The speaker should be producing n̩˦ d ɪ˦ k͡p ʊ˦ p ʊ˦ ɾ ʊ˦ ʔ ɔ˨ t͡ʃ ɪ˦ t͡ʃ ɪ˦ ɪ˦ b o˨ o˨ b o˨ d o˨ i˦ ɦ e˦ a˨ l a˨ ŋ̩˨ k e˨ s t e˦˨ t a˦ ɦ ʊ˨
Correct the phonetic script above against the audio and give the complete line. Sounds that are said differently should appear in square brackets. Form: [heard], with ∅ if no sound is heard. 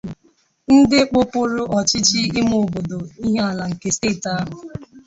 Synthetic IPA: n̩˦ d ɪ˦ k͡p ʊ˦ p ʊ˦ ɾ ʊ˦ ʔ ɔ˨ t͡ʃ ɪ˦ t͡ʃ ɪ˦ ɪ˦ [m] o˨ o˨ b o˨ d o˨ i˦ ɦ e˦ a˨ l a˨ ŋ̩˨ k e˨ s t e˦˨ t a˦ ɦ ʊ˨